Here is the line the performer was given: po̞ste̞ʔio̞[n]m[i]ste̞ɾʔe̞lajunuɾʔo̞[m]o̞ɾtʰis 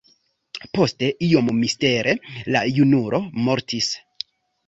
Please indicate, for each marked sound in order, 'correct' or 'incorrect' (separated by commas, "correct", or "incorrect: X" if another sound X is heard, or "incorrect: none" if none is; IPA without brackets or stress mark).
incorrect: m, correct, correct